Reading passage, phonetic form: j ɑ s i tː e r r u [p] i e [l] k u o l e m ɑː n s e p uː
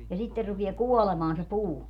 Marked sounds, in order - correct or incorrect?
correct, incorrect: none

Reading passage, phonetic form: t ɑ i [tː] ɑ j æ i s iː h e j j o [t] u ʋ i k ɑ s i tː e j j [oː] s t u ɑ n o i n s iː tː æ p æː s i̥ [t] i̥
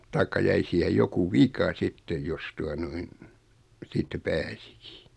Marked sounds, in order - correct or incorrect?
incorrect: kː, incorrect: k, incorrect: o, incorrect: k

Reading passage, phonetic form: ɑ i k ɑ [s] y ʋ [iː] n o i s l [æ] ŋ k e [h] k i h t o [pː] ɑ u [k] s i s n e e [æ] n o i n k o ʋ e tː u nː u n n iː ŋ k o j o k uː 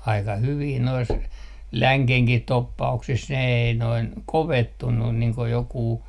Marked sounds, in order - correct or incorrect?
incorrect: h, correct, correct, correct, correct, correct, incorrect: i

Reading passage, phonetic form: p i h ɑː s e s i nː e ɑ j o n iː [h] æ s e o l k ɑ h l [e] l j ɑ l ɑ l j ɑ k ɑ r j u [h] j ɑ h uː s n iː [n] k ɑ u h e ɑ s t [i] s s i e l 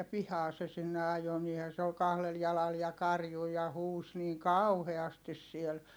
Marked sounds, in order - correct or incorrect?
correct, correct, incorrect: none, incorrect: ŋ, correct

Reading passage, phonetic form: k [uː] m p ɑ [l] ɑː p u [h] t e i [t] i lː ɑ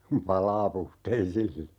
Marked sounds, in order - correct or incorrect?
incorrect: u, correct, correct, incorrect: s

